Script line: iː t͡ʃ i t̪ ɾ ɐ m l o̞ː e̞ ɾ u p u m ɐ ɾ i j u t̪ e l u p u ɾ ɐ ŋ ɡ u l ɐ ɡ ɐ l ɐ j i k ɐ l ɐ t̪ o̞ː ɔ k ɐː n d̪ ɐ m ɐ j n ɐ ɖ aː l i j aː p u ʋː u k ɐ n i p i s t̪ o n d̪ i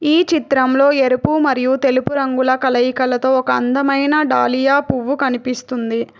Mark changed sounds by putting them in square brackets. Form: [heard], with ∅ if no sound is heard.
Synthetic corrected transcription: iː t͡ʃ i t̪ ɾ ɐ m l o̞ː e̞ ɾ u p u m ɐ ɾ i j u t̪ e l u p u ɾ ɐ ŋ ɡ u l ɐ [k] ɐ l ɐ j i k ɐ l ɐ t̪ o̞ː ɔ k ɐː n d̪ ɐ m ɐ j n ɐ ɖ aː l i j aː p u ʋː u k ɐ n i p i s t̪ [u] n d̪ i